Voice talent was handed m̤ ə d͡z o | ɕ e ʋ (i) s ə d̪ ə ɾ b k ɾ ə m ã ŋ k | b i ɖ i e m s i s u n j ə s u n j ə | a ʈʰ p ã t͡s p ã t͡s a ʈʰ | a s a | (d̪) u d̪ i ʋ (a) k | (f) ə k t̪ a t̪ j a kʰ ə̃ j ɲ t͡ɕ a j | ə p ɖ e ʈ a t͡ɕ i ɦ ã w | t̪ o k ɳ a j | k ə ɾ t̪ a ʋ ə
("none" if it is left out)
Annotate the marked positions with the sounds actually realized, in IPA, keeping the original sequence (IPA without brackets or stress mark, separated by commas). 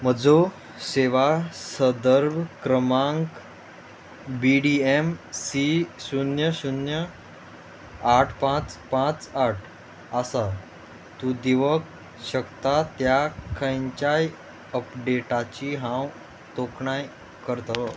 a, t̪, ə, ɕ